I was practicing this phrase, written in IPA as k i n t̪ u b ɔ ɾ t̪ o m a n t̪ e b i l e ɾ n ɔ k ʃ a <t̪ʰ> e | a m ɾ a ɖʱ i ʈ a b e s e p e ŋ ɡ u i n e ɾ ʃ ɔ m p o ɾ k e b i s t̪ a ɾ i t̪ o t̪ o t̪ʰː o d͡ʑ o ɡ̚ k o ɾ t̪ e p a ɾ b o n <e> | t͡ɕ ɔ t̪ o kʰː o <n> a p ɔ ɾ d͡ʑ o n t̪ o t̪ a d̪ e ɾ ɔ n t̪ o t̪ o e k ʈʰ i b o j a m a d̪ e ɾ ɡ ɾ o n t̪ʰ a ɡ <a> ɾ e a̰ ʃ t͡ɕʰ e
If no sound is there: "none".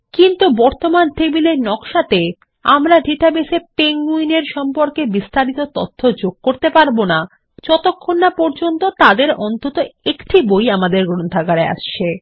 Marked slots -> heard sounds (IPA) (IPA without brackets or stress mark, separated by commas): t̪, a, nː, a